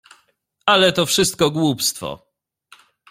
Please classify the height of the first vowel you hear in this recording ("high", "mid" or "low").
low